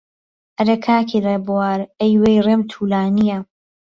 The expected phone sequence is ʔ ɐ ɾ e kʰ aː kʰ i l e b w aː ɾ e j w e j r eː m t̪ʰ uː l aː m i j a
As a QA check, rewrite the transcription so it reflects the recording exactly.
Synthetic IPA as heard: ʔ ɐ ɾ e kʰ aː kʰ i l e b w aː ɾ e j w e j r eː m t̪ʰ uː l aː n i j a